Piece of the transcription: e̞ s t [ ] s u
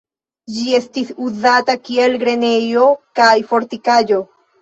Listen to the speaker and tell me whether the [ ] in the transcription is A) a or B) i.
B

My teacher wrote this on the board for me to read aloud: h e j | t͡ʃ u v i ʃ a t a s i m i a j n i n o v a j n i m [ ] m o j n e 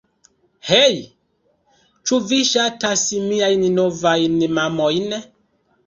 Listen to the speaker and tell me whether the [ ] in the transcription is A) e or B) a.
B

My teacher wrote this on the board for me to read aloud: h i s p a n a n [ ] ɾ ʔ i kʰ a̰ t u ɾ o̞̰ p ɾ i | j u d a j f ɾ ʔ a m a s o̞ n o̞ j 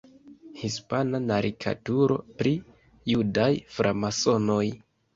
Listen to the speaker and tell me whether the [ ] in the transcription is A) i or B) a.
B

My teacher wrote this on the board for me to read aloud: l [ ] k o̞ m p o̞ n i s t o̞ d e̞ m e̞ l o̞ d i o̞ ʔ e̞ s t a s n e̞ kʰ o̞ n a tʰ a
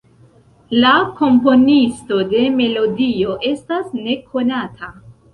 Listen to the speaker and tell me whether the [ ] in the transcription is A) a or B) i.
A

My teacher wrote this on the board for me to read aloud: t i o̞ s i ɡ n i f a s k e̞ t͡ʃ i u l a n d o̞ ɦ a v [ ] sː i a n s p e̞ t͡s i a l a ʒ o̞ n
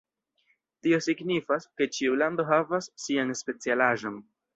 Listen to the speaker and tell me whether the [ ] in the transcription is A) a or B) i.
A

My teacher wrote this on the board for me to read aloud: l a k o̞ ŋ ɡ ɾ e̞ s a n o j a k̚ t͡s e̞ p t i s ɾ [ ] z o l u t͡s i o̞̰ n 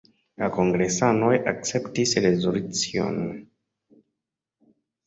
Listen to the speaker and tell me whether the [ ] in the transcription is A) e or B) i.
A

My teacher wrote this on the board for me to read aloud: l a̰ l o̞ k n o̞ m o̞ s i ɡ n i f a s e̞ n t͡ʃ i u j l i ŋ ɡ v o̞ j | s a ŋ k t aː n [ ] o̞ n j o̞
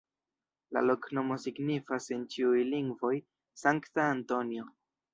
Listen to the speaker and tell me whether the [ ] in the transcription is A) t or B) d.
A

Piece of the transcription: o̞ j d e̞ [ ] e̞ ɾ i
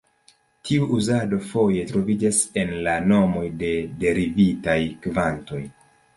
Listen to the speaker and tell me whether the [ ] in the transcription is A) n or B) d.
B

